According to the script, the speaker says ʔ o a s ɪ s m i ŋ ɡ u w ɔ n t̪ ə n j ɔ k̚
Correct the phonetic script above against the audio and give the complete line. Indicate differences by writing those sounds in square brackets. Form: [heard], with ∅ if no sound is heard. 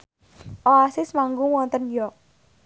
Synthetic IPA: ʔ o a s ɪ s m [a] ŋ ɡ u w ɔ n t̪ ə n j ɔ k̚